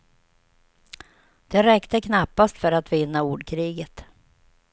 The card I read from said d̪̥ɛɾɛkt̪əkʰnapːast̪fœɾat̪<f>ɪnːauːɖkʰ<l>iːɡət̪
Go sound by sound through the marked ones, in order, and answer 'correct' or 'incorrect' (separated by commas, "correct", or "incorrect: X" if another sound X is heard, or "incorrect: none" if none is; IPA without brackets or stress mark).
incorrect: v, incorrect: ɾ